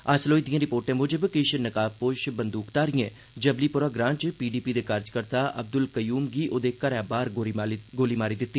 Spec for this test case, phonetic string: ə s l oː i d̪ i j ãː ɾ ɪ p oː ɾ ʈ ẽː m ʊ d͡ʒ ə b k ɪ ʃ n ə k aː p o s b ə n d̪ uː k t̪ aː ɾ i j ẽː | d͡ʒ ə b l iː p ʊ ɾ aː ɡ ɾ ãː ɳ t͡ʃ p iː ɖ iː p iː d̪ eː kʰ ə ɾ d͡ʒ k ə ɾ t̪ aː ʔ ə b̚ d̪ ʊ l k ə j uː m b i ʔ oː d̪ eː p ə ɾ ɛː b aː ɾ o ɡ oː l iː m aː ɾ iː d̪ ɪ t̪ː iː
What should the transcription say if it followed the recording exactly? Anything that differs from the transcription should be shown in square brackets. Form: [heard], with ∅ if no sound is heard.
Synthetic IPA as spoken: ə s l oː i d̪ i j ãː ɾ ɪ p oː ɾ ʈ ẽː m ʊ d͡ʒ ə b k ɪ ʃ n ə k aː p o [ʃ] b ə n d̪ uː k t̪ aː ɾ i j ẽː | d͡ʒ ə b l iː p ʊ ɾ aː ɡ ɾ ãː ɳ t͡ʃ p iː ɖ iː p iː d̪ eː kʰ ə ɾ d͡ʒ k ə ɾ t̪ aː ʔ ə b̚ d̪ ʊ l k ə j uː m [ɡ] i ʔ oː d̪ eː [k] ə ɾ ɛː b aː ɾ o ɡ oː l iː m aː ɾ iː d̪ ɪ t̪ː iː